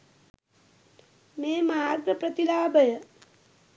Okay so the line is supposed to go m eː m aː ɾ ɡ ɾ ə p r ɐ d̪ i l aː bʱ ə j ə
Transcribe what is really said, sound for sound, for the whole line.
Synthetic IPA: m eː m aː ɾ ɡ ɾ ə p ɾ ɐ t̪ i l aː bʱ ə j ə